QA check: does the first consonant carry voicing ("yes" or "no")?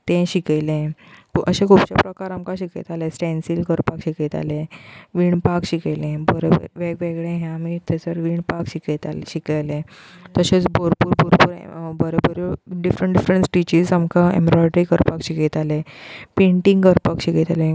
no